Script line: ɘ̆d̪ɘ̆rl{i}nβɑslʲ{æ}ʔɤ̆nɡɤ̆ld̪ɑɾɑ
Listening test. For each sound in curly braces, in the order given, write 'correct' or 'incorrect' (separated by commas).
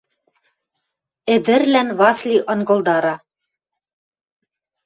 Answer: incorrect, incorrect